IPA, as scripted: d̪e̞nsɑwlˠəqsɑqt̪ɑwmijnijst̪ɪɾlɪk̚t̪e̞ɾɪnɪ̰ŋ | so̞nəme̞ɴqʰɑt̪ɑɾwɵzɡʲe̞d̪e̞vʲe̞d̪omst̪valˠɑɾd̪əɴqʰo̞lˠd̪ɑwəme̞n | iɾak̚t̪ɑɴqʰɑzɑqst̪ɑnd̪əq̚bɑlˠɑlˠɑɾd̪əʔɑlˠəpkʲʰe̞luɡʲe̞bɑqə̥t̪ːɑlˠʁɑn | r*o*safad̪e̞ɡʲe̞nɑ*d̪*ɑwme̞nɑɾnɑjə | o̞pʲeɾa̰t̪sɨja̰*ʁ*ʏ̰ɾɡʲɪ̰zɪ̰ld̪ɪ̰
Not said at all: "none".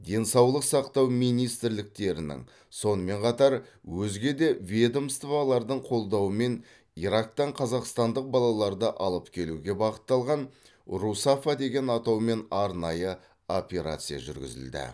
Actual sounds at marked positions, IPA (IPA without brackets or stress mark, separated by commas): u, t̪, ʒ